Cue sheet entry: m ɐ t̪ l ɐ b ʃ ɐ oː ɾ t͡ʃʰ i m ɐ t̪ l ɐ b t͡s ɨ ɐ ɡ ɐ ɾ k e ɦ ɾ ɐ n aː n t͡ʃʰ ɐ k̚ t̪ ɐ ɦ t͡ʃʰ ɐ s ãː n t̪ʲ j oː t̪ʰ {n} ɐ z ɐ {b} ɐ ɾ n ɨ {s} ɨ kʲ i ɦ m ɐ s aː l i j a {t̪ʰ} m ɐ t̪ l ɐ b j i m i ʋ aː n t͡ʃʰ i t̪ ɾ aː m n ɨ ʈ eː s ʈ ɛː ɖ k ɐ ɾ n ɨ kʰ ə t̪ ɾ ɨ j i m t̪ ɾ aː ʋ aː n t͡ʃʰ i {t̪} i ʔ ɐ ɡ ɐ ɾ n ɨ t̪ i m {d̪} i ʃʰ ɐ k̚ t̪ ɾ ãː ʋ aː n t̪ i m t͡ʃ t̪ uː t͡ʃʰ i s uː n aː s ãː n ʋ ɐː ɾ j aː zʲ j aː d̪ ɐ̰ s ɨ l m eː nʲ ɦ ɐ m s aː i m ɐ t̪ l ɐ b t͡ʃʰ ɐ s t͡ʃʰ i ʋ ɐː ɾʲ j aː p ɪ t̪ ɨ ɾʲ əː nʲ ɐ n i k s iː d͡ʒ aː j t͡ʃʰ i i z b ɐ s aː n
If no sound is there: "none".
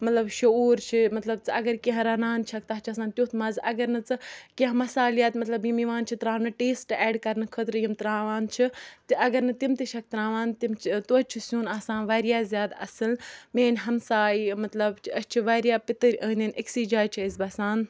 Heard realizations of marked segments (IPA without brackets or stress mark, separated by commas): m, ɡ, t͡s, t̪, t̪, t̪